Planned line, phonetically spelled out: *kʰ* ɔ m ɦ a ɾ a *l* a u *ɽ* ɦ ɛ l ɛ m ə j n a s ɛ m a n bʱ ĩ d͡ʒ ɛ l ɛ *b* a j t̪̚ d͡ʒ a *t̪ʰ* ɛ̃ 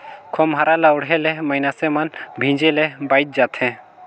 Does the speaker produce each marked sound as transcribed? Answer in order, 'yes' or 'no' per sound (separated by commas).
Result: yes, yes, yes, yes, yes